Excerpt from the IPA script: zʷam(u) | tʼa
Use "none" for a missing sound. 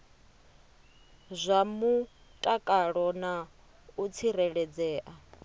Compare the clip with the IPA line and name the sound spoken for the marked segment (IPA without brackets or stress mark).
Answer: u